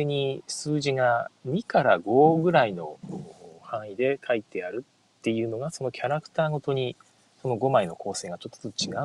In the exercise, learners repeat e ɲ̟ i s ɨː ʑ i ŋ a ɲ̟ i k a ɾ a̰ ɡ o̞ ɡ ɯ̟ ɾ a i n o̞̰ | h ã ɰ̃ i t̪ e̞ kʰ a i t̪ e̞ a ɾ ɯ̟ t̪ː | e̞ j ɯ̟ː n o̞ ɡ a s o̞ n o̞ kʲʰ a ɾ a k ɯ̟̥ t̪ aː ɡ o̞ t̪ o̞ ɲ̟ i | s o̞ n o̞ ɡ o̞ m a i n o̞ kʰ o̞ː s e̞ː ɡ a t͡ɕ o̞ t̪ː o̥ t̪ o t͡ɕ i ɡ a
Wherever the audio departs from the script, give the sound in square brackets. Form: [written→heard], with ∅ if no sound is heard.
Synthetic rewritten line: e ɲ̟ i s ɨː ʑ i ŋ a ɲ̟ i k a ɾ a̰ ɡ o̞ ɡ ɯ̟ ɾ a i n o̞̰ | h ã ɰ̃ i [t̪→d̪] e̞ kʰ a i t̪ e̞ a ɾ ɯ̟ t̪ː | e̞ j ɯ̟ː n o̞ ɡ a s o̞ n o̞ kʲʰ a ɾ a k ɯ̟̥ t̪ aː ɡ o̞ t̪ o̞ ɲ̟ i | s o̞ n o̞ ɡ o̞ m a i n o̞ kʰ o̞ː s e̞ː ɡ a t͡ɕ o̞ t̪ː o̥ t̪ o t͡ɕ i ɡ a